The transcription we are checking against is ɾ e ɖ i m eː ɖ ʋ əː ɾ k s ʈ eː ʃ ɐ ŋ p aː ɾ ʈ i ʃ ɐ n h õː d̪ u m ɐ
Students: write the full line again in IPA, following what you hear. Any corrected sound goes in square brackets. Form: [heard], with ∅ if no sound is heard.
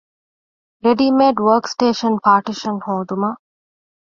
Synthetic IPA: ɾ e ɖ i m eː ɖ ʋ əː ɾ k s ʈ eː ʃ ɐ [n] p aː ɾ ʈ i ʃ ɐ n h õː d̪ u m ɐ